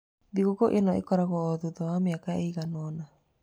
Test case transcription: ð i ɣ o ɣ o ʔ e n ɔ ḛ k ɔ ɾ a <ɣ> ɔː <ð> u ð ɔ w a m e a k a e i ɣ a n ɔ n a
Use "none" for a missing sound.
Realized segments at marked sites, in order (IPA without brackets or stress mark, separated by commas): ɣ, ð